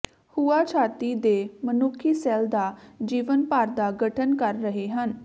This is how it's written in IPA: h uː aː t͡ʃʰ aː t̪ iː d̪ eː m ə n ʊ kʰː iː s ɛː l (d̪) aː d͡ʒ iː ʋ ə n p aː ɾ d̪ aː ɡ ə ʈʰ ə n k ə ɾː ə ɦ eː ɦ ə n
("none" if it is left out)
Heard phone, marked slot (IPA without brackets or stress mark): d̪